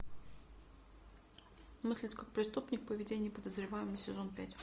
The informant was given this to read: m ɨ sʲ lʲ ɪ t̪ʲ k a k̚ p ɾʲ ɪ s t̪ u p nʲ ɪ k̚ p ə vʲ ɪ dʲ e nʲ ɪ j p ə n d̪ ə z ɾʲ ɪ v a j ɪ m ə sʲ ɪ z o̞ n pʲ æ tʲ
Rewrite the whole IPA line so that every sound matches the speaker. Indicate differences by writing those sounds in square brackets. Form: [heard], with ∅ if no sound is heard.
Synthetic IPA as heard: m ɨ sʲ lʲ ɪ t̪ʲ k a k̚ p ɾʲ ɪ s t̪ u p nʲ ɪ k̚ p ə vʲ ɪ dʲ e nʲ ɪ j p ə [∅] d̪ ə z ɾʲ ɪ v a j ɪ m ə sʲ ɪ z o̞ n pʲ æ tʲ